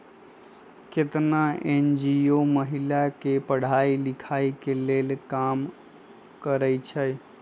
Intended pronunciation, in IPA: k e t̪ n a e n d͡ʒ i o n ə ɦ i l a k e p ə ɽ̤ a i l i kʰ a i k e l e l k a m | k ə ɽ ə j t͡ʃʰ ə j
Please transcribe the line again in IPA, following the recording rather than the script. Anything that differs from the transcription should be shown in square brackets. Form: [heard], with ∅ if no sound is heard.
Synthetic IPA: k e t̪ n a e n d͡ʒ i o [m] ə ɦ i l a k e p ə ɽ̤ a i l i kʰ a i k e l e l k a m | k ə [ɾ] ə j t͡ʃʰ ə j